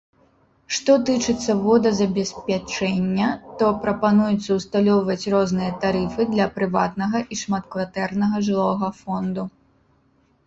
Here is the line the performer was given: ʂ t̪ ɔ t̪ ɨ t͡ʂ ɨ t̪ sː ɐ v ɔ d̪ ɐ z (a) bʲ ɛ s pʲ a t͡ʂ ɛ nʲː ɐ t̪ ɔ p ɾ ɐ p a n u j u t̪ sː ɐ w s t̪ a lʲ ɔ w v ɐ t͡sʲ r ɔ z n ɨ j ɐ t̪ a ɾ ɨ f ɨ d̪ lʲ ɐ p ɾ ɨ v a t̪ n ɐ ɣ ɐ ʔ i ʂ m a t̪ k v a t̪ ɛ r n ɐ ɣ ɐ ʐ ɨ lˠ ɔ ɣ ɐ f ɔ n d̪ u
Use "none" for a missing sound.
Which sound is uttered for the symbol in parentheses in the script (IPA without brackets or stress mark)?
ɐ